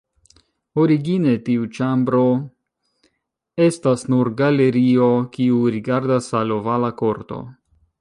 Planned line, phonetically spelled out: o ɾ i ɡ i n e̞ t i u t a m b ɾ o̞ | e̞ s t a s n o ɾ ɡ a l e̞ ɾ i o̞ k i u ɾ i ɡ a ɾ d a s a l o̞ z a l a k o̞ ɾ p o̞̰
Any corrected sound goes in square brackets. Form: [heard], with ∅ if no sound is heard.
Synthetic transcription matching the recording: o ɾ i ɡ i n e̞ t i u [t͡ʃ] a m b ɾ o̞ | e̞ s t a s n [u] ɾ ɡ a l e̞ ɾ i o̞ k i u ɾ i ɡ a ɾ d a s a l o̞ [v] a l a k o̞ ɾ [t] o̞̰